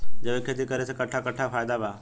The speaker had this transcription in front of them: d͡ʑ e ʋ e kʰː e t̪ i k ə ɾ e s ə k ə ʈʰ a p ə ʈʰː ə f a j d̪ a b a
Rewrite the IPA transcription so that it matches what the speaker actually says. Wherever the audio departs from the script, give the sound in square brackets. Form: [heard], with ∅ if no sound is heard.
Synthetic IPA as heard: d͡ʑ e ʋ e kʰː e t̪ i k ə ɾ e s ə k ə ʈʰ a [k] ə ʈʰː [a] f a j d̪ a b a